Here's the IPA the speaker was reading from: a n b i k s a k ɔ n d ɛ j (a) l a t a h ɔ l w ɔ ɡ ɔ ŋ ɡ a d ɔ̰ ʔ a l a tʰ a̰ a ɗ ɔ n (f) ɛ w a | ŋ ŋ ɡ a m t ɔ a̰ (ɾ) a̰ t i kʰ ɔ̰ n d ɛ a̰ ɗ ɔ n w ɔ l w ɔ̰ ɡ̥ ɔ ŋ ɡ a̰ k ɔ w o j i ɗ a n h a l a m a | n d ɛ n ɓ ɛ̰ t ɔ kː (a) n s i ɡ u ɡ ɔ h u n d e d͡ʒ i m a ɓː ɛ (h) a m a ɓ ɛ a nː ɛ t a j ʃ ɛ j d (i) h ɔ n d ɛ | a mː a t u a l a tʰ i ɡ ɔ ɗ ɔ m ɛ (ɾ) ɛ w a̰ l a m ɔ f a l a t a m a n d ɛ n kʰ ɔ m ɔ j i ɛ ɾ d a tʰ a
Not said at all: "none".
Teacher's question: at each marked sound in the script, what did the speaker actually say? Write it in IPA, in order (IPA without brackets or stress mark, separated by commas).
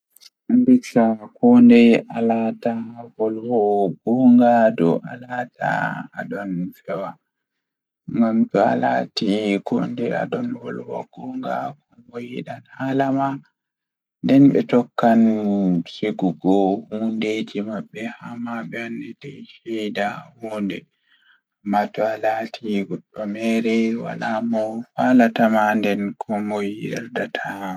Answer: a, f, l, a, h, a, ɾ